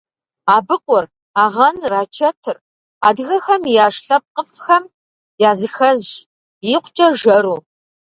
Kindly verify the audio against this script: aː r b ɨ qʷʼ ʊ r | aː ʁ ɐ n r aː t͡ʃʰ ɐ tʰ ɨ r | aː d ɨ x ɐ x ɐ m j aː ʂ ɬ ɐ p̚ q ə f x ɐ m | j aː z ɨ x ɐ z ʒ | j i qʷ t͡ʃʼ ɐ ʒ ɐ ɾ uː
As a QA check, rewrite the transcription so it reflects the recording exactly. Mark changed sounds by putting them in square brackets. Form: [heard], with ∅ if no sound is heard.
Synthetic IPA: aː [∅] b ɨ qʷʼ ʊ r | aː ʁ ɐ n r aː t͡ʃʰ ɐ tʰ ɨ r | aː d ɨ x ɐ x ɐ m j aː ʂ ɬ ɐ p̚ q ə f x ɐ m | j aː z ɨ x ɐ z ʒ | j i qʷ t͡ʃʼ ɐ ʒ ɐ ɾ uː